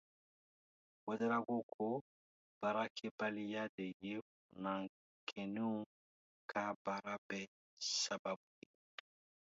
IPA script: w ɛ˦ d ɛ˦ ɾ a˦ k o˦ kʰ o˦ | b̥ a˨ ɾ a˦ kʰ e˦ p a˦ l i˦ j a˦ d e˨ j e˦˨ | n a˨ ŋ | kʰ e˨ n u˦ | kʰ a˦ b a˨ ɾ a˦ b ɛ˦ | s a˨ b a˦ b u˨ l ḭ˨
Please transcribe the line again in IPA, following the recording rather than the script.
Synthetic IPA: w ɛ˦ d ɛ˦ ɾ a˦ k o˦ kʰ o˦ | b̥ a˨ ɾ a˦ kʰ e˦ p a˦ l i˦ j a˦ d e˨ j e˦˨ | n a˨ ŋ | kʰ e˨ n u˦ | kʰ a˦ b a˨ ɾ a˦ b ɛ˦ | s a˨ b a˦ b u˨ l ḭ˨